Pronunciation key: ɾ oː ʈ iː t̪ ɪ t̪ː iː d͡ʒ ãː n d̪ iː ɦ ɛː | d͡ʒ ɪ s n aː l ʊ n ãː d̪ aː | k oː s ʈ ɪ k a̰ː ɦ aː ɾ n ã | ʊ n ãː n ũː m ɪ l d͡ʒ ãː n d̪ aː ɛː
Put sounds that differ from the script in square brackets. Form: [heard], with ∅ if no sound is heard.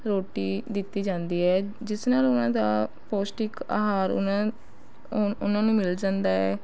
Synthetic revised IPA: ɾ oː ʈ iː [d̪] ɪ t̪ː iː d͡ʒ ãː n d̪ iː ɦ ɛː | d͡ʒ ɪ s n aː l ʊ n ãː d̪ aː | [p] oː s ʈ ɪ k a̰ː ɦ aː ɾ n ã | ʊ n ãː n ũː m ɪ l d͡ʒ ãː n d̪ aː ɛː